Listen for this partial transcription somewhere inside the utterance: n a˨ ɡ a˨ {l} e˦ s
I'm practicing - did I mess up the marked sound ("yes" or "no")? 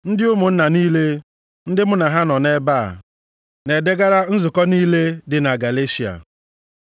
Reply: no